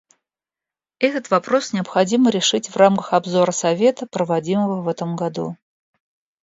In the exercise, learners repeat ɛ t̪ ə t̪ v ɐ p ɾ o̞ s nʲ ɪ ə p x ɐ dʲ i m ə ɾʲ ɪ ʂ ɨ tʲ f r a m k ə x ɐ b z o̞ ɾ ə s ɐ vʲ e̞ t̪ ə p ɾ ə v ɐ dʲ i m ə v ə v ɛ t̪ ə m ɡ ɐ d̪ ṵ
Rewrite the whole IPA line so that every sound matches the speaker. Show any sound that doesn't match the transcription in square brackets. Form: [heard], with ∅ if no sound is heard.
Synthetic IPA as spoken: ɛ t̪ ə t̪ v ɐ p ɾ o̞ s nʲ ɪ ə p x ɐ dʲ i m ə ɾʲ ɪ ʂ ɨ tʲ [v] r a m k ə x ɐ b z o̞ ɾ ə s ɐ vʲ e̞ t̪ ə p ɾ ə v ɐ dʲ i m ə v ə v ɛ t̪ ə m ɡ ɐ d̪ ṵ